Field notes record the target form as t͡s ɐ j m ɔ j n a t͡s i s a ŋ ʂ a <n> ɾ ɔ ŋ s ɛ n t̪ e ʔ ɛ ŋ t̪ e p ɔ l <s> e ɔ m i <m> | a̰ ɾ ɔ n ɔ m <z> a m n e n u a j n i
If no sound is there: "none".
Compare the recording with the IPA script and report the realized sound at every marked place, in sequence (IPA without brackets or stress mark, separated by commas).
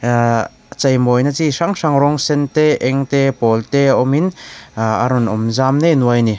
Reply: ŋ, t, n, z